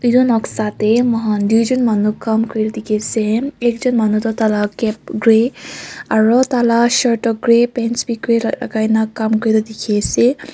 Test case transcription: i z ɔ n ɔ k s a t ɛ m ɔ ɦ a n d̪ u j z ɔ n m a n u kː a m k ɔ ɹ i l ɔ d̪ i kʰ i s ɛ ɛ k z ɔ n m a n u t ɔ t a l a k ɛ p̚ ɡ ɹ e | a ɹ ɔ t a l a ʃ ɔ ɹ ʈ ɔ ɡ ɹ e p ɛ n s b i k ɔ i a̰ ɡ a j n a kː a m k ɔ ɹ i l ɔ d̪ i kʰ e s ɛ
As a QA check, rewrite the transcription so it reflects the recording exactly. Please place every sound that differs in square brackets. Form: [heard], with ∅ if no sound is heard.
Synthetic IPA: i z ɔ n ɔ k s a t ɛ m ɔ ɦ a n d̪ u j z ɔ n m a n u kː a m k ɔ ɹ i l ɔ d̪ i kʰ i s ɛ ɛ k z ɔ n m a n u t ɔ t a l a k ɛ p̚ ɡ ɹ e | a ɹ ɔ t a l a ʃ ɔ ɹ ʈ ɔ ɡ ɹ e p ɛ n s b i k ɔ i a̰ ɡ a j n a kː a m k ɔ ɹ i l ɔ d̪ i kʰ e s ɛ